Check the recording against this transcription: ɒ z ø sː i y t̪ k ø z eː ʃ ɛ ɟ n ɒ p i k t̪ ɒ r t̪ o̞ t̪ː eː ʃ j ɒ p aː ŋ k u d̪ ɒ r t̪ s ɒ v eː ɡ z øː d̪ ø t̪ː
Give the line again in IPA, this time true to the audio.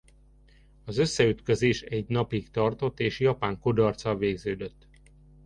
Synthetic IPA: ɒ z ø sː ɛ y t̪ k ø z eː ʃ ɛ ɟ n ɒ p i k t̪ ɒ r t̪ o̞ t̪ː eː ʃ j ɒ p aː ŋ k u d̪ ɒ r t̪ s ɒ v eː ɡ z øː d̪ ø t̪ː